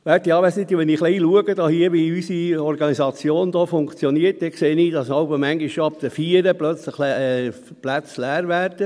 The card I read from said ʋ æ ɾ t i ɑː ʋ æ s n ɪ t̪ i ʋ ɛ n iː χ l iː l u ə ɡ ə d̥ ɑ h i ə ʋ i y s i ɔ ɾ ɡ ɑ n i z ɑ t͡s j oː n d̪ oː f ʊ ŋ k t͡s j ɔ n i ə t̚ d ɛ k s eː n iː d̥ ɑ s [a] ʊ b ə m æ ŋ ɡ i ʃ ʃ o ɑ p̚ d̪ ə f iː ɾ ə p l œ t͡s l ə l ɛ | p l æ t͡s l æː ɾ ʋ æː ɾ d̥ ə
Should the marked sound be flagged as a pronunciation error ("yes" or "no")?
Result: yes